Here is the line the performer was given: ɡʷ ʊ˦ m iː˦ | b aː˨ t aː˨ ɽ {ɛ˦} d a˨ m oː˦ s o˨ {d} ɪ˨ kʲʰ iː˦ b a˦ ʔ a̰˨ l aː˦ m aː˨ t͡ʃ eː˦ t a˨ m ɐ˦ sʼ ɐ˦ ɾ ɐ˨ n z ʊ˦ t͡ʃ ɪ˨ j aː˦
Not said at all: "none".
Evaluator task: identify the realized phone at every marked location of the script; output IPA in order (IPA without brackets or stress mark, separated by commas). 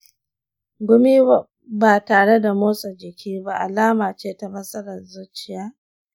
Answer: e˦, d͡ʒ